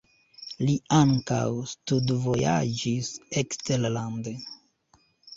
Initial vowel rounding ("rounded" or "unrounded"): unrounded